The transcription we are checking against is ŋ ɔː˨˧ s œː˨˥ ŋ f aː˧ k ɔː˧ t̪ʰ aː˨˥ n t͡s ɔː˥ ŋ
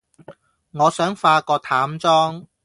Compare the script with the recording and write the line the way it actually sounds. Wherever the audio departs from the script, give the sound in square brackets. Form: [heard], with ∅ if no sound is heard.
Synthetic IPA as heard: ŋ ɔː˨˧ s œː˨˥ ŋ f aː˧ k ɔː˧ t̪ʰ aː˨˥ [m] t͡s ɔː˥ ŋ